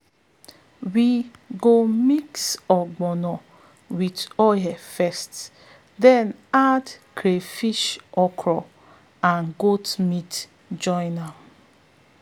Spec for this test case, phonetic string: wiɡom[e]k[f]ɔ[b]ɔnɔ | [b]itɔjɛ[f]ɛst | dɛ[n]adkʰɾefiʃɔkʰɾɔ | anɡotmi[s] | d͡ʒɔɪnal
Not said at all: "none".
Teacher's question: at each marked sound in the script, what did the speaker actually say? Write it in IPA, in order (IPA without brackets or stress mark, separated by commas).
i, s, ɡ͡b, w, f, n, t